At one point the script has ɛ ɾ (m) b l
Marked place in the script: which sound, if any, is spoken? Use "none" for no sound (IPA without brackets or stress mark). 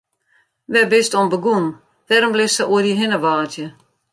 m